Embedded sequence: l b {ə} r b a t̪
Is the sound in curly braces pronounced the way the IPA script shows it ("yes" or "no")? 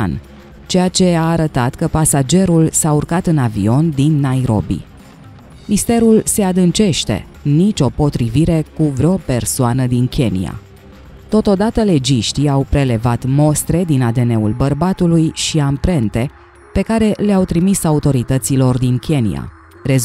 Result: yes